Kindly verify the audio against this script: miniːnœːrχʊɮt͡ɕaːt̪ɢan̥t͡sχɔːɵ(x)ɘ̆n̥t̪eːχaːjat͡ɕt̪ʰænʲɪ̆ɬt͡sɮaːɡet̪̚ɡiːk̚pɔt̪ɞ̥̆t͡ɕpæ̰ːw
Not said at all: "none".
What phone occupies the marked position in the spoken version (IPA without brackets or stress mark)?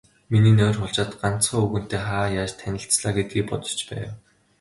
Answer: ɣ